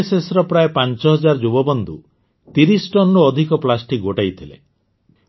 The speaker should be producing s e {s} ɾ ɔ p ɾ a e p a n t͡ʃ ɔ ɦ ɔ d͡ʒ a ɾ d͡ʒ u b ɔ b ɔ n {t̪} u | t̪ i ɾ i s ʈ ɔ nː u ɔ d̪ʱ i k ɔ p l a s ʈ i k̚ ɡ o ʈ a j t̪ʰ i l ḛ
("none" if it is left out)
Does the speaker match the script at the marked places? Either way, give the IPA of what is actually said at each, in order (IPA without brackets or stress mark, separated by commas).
s, d̪